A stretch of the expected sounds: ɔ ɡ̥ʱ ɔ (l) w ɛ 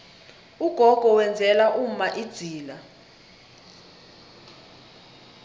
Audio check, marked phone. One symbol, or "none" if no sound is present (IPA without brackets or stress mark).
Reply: none